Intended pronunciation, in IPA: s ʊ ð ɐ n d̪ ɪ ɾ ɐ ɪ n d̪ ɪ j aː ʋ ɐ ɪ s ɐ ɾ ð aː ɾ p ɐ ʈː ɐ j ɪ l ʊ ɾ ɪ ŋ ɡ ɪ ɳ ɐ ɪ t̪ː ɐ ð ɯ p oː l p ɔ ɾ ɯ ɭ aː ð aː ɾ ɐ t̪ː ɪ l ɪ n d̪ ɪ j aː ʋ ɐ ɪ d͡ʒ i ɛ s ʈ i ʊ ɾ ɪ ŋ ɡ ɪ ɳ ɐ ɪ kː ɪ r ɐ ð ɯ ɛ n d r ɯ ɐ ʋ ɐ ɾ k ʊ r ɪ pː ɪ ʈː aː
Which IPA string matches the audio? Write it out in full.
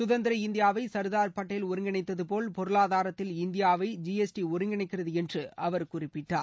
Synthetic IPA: s ʊ ð ɐ n d̪ ɪ ɾ ɐ ɪ n d̪ ɪ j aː ʋ ɐ ɪ s ɐ ɾ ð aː ɾ p ɐ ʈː ɐ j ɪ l ʊ ɾ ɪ ŋ ɡ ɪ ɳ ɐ ɪ t̪ː ɐ ð ɯ p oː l p ɔ ɾ ɯ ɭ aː ð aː ɾ ɐ t̪ː ɪ l ɪ n d̪ ɪ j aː ʋ ɐ ɪ d͡ʒ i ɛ s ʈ i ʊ ɾ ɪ ŋ ɡ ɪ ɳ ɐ ɪ kː ɪ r ɐ ð ɯ ɛ n d r ɯ ɐ ʋ ɐ ɾ k ʊ r ɪ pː ɪ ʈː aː